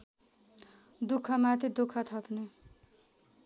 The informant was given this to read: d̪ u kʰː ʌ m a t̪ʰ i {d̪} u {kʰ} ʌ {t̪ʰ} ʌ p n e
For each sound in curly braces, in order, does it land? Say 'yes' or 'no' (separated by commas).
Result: yes, yes, yes